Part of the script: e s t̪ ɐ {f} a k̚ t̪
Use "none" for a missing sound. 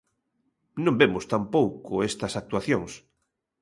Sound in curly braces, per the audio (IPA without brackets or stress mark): s